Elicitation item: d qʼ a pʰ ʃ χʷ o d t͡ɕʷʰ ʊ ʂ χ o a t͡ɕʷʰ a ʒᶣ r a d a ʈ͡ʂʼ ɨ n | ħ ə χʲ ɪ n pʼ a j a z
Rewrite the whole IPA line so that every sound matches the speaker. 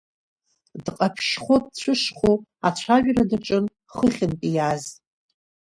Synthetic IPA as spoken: d qʼ a pʰ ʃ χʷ o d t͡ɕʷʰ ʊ ʂ χ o a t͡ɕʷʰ a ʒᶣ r a d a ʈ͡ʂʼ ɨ n | χ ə χʲ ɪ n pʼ i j a z

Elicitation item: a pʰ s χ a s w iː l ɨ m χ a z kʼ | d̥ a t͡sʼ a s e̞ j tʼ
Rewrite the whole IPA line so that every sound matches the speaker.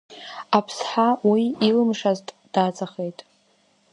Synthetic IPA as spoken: a pʰ s ħ a w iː l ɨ m ʂ a z tʼ | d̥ a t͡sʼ a χ e̞ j tʼ

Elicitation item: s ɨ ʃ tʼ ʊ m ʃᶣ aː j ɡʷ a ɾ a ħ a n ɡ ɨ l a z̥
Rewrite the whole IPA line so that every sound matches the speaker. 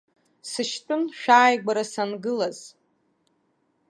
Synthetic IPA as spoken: s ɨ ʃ tʼ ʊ n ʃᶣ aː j ɡʷ a ɾ a s a n ɡ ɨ l a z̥

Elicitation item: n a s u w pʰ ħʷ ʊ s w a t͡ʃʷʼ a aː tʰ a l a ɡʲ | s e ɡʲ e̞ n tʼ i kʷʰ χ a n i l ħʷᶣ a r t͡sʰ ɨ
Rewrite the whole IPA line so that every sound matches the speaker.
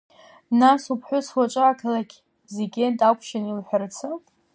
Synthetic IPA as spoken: n a s u pʰ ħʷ ʊ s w a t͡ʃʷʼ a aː kʰ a l a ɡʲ | z e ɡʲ e̞ n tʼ a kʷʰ ʃ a n i l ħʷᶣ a r t͡sʰ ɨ

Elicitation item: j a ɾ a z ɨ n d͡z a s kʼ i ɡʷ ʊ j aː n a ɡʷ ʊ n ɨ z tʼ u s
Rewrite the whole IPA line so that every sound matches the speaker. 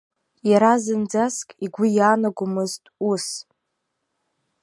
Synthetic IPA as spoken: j a ɾ a z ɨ n d͡z a s kʼ i ɡʷ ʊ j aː n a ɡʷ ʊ m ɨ z tʼ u s

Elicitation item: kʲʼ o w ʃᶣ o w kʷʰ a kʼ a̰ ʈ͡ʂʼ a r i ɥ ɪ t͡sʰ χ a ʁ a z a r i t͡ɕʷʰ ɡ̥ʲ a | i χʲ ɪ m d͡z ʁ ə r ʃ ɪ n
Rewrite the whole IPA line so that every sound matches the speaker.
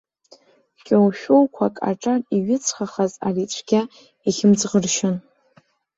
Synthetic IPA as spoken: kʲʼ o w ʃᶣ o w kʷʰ a kʼ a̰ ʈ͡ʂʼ a r i ɥ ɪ t͡sʰ χ a χ a z a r i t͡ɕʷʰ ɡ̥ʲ a | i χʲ ɪ m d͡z ʁ ə r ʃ ɪ n

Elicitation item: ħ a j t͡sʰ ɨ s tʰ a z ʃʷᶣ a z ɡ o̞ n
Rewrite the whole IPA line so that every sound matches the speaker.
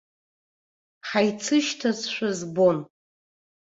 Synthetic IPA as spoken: ħ a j t͡sʰ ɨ ʃ tʰ a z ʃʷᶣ a z b o̞ n

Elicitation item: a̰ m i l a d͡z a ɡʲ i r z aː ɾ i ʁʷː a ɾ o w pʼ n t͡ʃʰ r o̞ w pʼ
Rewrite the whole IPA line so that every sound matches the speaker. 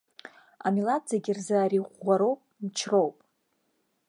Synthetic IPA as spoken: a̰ m i l a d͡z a ɡʲ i r z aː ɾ i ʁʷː a ɾ o w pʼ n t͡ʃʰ r o̞ w pʼ

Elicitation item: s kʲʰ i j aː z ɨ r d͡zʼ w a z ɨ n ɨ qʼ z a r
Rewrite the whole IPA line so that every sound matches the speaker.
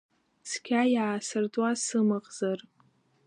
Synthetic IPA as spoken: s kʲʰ a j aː s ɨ r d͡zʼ w a s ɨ m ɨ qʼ z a r

